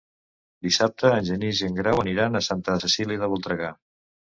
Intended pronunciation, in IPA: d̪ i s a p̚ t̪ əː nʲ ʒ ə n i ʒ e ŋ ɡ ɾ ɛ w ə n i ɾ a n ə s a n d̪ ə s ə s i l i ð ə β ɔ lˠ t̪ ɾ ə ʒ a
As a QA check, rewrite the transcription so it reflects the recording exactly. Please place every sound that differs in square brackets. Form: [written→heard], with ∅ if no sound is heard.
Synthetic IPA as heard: d̪ i s a p̚ t̪ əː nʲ ʒ ə n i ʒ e ŋ ɡ ɾ [ɛ→a] w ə n i ɾ a n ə s a n [d̪→t̪] ə s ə s i l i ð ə β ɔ lˠ t̪ ɾ ə [ʒ→ɣ] a

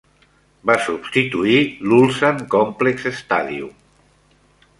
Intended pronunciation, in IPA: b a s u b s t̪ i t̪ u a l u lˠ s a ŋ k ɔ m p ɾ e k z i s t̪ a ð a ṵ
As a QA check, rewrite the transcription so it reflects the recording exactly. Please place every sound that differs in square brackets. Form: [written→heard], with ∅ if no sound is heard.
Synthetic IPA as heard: b a s u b s t̪ i t̪ u [a→i] l u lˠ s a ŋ k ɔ m p [ɾ→l] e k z [i→e] s t̪ a ð [a→i] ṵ

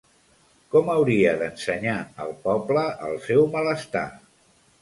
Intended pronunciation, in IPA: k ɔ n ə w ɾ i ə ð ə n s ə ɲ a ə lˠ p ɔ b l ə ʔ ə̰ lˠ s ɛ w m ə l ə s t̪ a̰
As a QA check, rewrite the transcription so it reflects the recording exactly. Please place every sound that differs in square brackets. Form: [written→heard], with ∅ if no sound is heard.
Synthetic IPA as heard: k ɔ [n→m] ə w ɾ i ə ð ə n s ə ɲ a ə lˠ p ɔ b l ə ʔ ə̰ lˠ s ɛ w m ə l ə s t̪ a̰

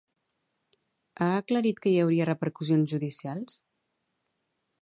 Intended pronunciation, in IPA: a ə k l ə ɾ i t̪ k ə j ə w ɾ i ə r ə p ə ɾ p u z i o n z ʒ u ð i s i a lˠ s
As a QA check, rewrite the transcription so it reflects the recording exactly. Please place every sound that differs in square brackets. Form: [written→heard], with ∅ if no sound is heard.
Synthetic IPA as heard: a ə k l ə ɾ i t̪ k ə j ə w ɾ i ə r ə p ə ɾ [p→k] u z i o n z ʒ u ð i s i a lˠ s

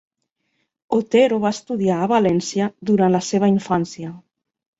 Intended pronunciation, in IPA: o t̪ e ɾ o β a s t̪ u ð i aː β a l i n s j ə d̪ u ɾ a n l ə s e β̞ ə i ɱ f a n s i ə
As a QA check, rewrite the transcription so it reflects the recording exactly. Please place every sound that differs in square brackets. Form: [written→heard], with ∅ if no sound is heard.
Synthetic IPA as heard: o t̪ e ɾ o β a s t̪ u ð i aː β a l [i→ɛ] n s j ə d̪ u ɾ a n l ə s e β̞ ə i ɱ f a n s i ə

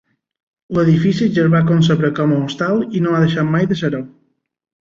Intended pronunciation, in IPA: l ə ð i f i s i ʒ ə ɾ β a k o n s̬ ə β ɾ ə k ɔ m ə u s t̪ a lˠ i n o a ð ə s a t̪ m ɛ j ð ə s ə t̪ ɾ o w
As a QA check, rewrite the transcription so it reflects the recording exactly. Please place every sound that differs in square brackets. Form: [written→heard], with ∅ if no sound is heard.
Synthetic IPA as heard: l ə ð i f i s i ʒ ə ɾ β a k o n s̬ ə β ɾ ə k ɔ m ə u s t̪ a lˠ i n o a ð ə [s→ʃ] a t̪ m [ɛ→a] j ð ə s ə [t̪→∅] ɾ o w

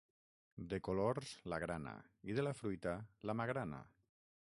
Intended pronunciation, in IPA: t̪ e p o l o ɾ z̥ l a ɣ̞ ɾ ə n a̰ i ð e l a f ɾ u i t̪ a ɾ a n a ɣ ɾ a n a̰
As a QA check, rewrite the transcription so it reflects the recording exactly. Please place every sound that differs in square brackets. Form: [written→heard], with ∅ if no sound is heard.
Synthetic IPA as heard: [t̪→d̪] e [p→k] o l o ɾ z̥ l a ɣ̞ ɾ [ə→a] n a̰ i ð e l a f ɾ u [i→j] t̪ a [ɾ→l] a [n→m] a ɣ ɾ a n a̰

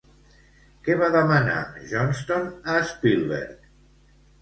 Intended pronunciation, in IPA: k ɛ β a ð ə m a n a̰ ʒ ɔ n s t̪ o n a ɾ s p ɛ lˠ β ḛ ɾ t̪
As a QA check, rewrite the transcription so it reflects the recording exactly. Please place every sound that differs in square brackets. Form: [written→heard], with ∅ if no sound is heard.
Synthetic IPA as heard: k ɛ β a ð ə m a n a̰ ʒ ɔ n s t̪ o n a [ɾ→∅] s p [ɛ→i] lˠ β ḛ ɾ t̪

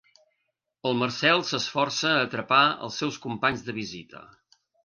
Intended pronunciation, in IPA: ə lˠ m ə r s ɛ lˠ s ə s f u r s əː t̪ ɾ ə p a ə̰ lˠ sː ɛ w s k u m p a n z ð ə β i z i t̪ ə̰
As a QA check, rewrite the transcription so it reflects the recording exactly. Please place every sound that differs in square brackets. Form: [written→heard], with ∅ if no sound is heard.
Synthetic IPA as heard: ə lˠ m ə r s ɛ lˠ s ə s f [u→ɔ] r s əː t̪ ɾ ə p a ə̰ lˠ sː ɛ w s k u m p a [n→ɲ] z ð ə β i z i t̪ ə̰

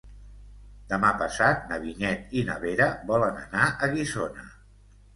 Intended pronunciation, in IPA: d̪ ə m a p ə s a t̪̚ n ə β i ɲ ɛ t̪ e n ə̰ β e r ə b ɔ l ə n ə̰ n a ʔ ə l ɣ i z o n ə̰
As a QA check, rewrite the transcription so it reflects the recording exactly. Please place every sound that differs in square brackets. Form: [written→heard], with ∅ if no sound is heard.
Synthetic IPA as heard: d̪ ə m a p ə s a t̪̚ n ə β i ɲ ɛ t̪ [e→i] n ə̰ β e [r→ɾ] ə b ɔ l ə n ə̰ n a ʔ ə [l→∅] ɣ i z o n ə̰

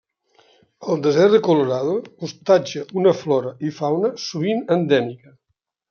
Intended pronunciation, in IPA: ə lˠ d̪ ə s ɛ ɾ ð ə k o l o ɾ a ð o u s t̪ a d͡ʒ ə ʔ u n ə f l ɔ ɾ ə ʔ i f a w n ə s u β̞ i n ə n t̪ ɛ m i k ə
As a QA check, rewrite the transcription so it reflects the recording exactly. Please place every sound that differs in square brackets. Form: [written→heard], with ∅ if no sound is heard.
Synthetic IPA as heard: ə lˠ d̪ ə [s→z] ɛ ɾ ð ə k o l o ɾ a ð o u s t̪ a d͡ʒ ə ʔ u n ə f l ɔ ɾ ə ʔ i f a w n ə s u β̞ i n ə n [t̪→d̪] ɛ m i k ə

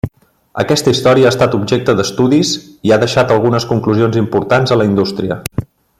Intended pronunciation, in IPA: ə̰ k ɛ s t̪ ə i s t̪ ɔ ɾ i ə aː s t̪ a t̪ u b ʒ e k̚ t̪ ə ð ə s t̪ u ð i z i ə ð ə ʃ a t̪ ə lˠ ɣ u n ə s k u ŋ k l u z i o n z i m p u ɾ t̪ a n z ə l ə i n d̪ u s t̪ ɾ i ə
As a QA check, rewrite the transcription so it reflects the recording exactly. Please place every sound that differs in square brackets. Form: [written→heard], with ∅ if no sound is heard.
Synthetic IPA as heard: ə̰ k ɛ s t̪ ə i s t̪ ɔ ɾ i ə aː s t̪ a t̪ u b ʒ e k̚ t̪ ə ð ə s t̪ u ð i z i [ə→a] ð ə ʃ a t̪ ə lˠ ɣ u n ə s k u ŋ k l u z i o n z i m p u ɾ t̪ a n z ə l ə i n d̪ u s t̪ ɾ i ə

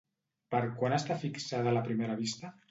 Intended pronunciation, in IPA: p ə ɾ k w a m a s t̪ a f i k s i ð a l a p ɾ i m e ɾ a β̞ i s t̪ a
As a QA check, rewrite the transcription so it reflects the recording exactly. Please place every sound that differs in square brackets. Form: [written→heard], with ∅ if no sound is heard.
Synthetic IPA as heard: p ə ɾ k w a [m→n] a s t̪ a f i k s [i→a] ð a l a p ɾ i m e ɾ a β̞ i s t̪ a

